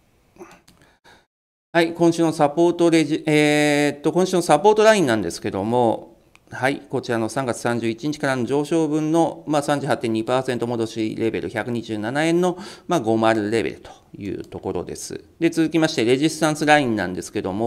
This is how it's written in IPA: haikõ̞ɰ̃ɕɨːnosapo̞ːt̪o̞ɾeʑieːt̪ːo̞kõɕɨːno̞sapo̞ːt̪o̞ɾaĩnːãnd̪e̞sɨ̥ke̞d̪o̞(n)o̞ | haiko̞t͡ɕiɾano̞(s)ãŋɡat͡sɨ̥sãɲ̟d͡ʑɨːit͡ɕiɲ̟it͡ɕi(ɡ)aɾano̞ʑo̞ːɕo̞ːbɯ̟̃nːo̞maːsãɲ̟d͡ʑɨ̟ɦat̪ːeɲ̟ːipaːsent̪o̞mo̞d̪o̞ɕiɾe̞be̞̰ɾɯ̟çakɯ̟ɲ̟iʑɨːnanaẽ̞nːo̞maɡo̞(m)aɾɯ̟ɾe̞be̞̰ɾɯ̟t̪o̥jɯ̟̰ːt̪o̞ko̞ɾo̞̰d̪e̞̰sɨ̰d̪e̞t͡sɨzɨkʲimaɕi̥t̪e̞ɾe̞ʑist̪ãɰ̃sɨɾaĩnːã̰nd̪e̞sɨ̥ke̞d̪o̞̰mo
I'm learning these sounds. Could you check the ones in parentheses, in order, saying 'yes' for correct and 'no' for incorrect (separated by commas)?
no, yes, no, yes